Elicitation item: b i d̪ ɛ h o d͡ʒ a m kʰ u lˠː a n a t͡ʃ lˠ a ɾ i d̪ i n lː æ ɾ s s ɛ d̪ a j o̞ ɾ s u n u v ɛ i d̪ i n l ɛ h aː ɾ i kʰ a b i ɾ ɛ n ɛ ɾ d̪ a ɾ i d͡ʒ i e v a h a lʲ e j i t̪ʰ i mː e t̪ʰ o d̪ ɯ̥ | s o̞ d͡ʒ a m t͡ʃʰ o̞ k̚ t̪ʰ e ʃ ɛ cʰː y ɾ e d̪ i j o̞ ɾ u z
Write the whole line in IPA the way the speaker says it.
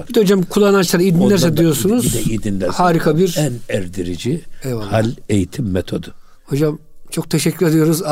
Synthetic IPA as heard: b i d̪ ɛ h o d͡ʒ a m kʰ u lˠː a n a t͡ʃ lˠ a ɾ i d̪ i n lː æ ɾ s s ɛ d̪ i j o̞ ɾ s u n u z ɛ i d̪ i n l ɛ h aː ɾ i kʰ a b i ɾ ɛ n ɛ ɾ d̪ i ɾ i d͡ʒ i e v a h a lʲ e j i t̪ʰ i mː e t̪ʰ o d̪ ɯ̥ | h o̞ d͡ʒ a m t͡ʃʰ o̞ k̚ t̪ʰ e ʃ ɛ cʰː y ɾ e d̪ i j o̞ ɾ u z